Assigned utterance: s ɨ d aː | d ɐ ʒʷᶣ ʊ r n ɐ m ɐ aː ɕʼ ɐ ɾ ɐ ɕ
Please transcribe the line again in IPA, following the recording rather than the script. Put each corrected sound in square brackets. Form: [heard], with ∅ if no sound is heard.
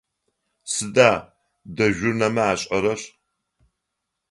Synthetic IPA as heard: s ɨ d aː | d ɐ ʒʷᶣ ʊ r n ɐ m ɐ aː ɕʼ ɐ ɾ ɐ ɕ

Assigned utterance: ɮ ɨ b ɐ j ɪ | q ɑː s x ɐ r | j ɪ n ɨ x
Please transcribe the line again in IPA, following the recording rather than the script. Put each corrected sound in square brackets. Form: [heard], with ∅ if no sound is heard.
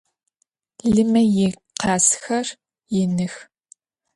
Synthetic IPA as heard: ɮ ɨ [m] ɐ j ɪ | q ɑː s x ɐ r | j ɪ n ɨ x

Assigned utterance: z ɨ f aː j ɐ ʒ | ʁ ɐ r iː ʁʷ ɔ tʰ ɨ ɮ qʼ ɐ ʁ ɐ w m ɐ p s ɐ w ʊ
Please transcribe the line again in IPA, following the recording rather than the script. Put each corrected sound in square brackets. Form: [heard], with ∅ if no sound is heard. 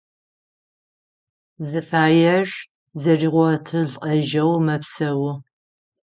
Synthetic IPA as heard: z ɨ f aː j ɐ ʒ | [z] ɐ r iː ʁʷ ɔ tʰ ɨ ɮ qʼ ɐ [ʒ] ɐ w m ɐ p s ɐ w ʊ

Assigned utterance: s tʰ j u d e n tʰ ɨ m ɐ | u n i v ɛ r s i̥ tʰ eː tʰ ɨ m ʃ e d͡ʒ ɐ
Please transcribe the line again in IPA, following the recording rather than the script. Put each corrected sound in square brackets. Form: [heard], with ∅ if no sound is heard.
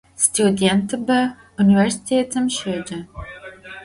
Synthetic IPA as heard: s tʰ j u d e n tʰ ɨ [b] ɐ | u n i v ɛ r s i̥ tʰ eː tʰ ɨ m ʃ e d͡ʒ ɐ

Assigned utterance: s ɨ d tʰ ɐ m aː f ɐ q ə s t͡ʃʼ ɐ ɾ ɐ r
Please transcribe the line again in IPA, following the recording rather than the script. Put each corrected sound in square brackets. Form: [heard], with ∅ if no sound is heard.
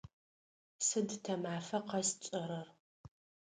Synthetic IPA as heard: s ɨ d tʰ ɐ m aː f ɐ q [ɐ] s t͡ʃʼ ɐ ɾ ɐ r

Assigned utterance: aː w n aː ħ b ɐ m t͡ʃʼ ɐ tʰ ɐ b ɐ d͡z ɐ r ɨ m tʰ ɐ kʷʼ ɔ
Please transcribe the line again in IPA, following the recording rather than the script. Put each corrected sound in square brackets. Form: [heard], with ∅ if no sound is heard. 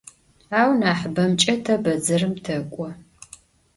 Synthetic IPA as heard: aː w n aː ħ b ɐ m t͡ʃʼ ɐ tʰ ɐ b ɐ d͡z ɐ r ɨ m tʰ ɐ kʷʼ ɔ

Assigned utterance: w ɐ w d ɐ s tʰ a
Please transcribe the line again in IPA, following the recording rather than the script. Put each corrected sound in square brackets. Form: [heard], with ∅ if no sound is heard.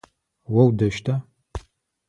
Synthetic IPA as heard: w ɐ w d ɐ [ʃ] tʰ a

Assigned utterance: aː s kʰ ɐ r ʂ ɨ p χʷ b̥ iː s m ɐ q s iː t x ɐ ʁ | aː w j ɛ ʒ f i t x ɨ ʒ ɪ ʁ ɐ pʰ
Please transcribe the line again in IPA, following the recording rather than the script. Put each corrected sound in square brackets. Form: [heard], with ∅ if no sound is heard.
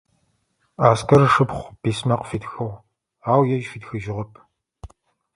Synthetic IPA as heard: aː s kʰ ɐ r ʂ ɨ p χʷ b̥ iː s m ɐ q [f] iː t x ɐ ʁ | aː w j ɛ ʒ f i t x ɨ ʒ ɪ ʁ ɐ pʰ

